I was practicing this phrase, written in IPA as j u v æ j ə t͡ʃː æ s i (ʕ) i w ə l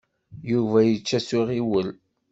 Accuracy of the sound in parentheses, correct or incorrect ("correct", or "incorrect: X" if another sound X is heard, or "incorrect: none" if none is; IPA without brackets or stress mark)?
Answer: incorrect: ʁ